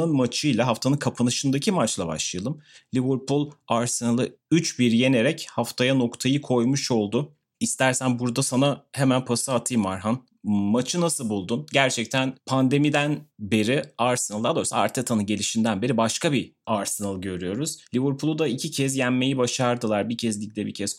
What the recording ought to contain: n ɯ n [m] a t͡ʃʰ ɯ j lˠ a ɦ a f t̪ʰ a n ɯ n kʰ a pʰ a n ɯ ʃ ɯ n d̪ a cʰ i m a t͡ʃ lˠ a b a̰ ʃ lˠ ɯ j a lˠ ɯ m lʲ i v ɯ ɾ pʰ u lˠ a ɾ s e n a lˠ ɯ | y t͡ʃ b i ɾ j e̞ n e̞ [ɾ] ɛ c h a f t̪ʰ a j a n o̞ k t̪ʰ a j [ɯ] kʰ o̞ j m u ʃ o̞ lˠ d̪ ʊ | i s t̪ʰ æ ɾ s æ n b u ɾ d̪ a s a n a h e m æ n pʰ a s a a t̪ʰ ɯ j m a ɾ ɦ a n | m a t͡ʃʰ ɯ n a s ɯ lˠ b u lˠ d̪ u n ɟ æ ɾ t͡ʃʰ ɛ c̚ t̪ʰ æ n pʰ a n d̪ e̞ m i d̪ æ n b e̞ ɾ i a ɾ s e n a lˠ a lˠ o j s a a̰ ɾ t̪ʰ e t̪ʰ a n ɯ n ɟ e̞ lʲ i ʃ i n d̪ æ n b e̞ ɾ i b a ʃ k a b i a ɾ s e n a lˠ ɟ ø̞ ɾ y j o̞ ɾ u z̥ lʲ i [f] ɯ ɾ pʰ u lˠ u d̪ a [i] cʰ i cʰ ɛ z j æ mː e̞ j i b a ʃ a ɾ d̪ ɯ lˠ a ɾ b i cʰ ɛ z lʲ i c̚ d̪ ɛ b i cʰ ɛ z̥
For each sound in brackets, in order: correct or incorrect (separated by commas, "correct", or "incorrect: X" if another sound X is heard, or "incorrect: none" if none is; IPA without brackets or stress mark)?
correct, correct, correct, incorrect: v, correct